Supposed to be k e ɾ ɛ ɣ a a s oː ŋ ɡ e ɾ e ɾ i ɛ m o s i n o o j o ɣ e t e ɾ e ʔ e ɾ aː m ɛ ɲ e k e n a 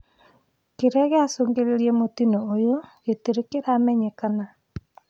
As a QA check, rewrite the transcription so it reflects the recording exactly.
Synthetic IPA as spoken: k e ɾ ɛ ɣ e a s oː ŋ ɡ e ɾ e ɾ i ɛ m o t i n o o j o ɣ e t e ɾ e k e ɾ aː m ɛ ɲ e k a n a